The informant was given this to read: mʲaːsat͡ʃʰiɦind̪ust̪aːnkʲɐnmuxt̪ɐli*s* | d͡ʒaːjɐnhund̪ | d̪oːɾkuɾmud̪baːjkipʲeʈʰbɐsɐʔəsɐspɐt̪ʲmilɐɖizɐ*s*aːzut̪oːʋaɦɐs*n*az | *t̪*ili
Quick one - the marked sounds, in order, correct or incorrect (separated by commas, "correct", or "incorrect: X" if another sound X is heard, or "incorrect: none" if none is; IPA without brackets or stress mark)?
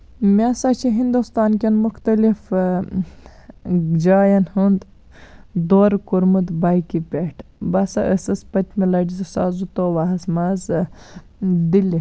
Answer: incorrect: f, correct, incorrect: m, incorrect: d̪